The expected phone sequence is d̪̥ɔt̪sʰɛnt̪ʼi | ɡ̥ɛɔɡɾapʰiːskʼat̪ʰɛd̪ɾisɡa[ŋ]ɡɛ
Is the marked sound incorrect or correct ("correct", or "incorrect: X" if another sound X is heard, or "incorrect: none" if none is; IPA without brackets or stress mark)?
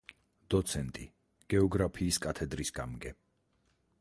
incorrect: m